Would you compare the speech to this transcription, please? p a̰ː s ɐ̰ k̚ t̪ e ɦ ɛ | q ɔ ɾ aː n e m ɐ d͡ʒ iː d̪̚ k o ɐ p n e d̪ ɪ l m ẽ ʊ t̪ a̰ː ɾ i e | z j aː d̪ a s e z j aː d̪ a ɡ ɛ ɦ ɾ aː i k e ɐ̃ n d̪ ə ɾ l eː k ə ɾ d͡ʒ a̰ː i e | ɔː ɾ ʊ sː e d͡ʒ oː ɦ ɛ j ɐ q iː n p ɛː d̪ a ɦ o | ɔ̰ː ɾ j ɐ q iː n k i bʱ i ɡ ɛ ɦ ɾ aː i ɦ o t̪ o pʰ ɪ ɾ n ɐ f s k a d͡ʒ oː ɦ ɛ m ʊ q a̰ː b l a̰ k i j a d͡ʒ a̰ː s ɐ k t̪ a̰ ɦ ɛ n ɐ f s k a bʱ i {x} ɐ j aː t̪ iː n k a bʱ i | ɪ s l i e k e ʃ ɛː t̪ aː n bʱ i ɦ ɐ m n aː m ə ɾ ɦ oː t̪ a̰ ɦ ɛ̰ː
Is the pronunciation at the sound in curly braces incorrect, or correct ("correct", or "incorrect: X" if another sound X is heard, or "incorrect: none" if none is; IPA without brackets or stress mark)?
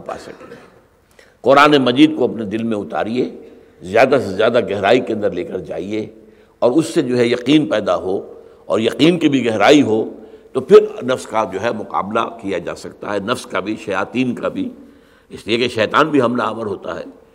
incorrect: ʃ